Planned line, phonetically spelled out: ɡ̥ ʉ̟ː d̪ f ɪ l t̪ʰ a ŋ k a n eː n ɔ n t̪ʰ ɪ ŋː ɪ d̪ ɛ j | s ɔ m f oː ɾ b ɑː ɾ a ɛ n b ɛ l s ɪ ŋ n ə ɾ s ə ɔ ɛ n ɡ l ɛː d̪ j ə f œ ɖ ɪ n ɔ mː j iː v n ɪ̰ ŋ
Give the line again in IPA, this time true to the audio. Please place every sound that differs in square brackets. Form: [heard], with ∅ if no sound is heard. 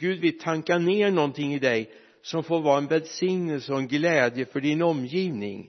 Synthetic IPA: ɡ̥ ʉ̟ː d̪ [v] ɪ l t̪ʰ a ŋ k a n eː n ɔ n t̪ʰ ɪ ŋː ɪ d̪ ɛ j | s ɔ m f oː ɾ [v] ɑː ɾ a ɛ n [v] ɛ l s ɪ ŋ n ə [l] s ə ɔ ɛ n ɡ l ɛː d̪ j ə f œ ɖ ɪ n ɔ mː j iː v n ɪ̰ ŋ